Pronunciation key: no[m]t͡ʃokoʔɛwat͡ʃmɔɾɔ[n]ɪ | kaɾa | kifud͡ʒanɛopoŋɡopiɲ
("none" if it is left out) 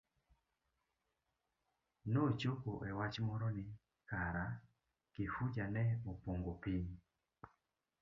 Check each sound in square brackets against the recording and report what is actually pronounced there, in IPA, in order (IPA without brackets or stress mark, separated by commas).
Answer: none, n